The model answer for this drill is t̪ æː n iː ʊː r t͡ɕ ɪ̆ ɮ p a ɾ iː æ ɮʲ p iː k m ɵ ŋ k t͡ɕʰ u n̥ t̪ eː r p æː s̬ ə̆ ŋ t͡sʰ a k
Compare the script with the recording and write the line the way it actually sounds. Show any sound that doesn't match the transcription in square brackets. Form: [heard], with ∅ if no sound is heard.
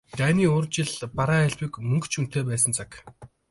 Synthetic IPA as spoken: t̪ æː n iː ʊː r t͡ɕ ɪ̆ ɮ p a ɾ [aː] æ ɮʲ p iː k m ɵ ŋ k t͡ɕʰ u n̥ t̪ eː [∅] p æː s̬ ə̆ [n] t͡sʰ a k